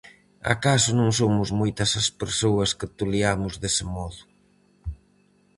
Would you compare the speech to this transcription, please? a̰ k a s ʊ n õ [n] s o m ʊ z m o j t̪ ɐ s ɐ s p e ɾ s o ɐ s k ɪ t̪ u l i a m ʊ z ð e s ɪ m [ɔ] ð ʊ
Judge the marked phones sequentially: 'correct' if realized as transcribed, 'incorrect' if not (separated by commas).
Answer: incorrect, correct